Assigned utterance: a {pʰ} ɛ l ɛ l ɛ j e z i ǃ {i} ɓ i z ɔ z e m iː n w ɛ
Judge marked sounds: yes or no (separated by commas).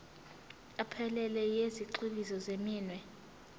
yes, yes